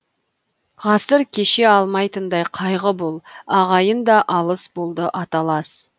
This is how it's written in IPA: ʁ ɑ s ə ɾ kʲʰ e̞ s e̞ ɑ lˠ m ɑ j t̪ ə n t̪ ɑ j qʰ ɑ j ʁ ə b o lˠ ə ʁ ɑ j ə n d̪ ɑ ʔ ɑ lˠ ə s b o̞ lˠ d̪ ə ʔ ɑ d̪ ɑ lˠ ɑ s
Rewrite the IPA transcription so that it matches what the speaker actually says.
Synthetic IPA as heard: ʁ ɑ s ə ɾ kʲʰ e̞ ʃ e̞ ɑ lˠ m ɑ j t̪ ə n d̪ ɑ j qʰ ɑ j ʁ ə b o lˠ ɑ ʁ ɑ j ə n d̪ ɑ ʔ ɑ lˠ ə s b o̞ lˠ d̪ ə ʔ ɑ t̪ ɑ lˠ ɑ s

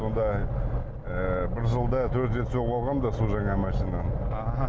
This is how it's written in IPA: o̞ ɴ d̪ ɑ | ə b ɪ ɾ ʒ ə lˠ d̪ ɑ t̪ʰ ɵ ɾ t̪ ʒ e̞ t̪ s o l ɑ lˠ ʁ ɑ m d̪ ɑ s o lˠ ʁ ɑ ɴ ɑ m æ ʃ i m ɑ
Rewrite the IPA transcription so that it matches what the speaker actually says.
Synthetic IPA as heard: o̞ n d̪ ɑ | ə b ɪ ɾ ʒ ə lˠ d̪ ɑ t̪ʰ ɵ ɾ t̪ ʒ e̞ t̪ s o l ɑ lˠ ʁ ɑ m d̪ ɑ s o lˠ ʒ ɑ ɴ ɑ m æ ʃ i n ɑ

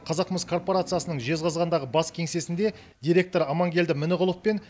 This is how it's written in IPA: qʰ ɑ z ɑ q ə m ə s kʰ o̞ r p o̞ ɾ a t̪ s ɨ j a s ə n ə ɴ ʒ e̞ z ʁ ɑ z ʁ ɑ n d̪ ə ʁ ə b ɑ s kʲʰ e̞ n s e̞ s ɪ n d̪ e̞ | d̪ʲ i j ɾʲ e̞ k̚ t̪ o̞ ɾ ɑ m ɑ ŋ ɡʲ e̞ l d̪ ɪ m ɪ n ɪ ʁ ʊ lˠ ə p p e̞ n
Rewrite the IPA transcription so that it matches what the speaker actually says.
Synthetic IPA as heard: qʰ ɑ z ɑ q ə m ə s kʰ o̞ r p o̞ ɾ a t̪ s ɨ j a s ə n ə ɴ ʒ e̞ z ʁ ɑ z ʁ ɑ n d̪ ɑ ʁ ə b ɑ s kʲʰ e̞ ŋ s e̞ s ɪ n d̪ e̞ | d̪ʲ i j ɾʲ e̞ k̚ t̪ o̞ ɾ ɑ m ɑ ŋ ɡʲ e̞ l d̪ ɪ m ɪ n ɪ ʁ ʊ lˠ ə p p e̞ n

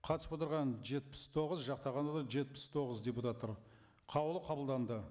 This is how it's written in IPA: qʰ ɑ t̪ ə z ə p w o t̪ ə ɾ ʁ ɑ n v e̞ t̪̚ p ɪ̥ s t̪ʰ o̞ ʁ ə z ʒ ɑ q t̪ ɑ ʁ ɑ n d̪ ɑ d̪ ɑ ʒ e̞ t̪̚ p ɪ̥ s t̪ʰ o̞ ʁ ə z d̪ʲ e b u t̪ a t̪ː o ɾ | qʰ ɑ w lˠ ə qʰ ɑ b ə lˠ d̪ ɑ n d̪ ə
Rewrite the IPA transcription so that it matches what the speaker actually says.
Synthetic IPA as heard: qʰ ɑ t̪ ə s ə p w o t̪ ə ɾ ʁ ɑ n ʒ e̞ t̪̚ p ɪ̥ s t̪ʰ o̞ ʁ ə z ʒ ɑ q t̪ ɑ ʁ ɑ n d̪ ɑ d̪ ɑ ʒ e̞ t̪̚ p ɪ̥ s t̪ʰ o̞ ʁ ə z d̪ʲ e p u t̪ a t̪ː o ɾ | qʰ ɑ w lˠ ə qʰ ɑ b ə lˠ d̪ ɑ n d̪ ə

